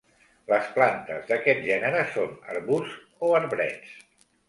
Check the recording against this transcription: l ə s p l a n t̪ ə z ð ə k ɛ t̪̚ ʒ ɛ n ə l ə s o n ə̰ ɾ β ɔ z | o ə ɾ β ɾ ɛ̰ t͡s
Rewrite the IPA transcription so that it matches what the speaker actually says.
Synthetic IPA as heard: l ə s p l a n t̪ ə z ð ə k ɛ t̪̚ ʒ ɛ n ə ɾ ə s o n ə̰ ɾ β u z | o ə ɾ β ɾ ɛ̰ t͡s